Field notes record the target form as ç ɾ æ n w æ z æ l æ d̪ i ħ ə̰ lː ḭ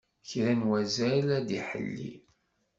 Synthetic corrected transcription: ç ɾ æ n w æ z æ l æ d̪ i ħ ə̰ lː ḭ